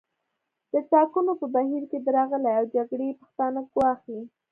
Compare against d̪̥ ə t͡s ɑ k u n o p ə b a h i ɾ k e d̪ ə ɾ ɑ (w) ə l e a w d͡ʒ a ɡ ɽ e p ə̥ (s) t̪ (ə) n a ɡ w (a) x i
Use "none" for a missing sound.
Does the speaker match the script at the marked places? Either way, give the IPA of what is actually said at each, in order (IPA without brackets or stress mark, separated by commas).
ɣ, x, ɑ, ɑ